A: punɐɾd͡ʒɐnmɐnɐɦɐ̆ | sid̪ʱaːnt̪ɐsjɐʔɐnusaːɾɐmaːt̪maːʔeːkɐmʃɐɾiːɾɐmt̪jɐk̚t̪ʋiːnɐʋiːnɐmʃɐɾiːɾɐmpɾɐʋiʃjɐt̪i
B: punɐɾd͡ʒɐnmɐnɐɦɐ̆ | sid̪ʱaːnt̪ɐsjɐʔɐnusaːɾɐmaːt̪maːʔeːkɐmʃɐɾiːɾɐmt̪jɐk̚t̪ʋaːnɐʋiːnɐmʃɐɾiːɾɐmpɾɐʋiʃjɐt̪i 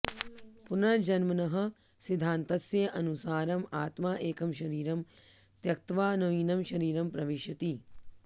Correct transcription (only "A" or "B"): B